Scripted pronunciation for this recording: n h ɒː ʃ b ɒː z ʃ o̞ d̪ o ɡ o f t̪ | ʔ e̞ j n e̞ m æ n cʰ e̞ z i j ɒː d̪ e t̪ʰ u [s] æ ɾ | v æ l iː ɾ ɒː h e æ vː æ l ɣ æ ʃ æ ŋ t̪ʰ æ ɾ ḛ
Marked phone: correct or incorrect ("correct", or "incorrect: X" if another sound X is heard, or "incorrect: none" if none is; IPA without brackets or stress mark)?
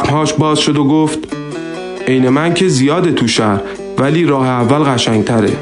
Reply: incorrect: ʃ